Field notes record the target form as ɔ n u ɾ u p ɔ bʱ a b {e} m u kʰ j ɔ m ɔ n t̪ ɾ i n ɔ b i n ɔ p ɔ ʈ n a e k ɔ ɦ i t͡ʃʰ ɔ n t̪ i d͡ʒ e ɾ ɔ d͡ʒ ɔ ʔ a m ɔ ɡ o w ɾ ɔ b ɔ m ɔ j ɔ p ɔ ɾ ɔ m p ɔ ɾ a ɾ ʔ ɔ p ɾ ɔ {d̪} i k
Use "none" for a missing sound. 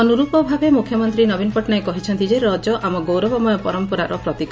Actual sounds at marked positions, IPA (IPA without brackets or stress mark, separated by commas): e, t̪